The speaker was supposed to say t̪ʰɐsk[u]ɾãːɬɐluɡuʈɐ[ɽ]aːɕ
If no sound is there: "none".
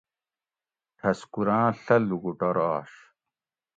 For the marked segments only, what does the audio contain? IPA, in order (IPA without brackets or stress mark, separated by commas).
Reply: u, ɾ